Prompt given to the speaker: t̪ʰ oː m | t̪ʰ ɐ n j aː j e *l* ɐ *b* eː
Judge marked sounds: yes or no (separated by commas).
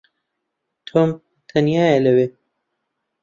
yes, no